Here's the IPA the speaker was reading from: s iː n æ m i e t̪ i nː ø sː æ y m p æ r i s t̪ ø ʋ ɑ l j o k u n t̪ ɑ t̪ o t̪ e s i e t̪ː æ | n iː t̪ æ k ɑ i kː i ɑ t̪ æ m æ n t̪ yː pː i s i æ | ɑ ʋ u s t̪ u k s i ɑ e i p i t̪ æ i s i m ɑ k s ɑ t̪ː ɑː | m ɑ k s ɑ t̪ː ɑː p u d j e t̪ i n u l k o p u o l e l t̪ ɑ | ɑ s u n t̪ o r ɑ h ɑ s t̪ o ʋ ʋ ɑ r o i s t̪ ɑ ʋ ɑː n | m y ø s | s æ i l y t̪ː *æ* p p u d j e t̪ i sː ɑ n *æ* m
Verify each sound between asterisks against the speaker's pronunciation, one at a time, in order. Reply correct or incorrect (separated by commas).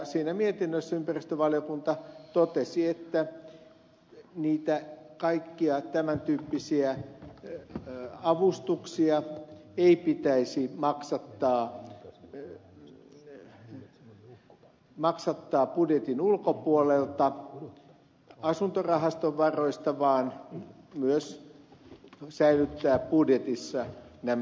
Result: incorrect, correct